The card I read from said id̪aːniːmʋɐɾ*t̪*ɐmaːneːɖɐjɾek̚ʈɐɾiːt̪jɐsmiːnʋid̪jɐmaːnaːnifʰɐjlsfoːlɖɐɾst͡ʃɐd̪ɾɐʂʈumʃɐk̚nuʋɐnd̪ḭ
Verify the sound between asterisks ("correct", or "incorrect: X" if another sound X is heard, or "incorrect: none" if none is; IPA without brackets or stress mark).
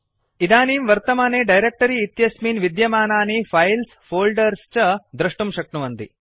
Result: correct